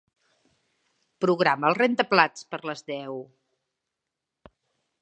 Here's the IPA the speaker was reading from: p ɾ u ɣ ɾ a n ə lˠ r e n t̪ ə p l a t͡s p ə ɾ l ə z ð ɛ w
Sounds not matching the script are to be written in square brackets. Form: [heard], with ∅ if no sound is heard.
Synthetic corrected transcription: p ɾ u ɣ ɾ a [m] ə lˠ r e n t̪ ə p l a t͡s p ə ɾ l ə z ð ɛ w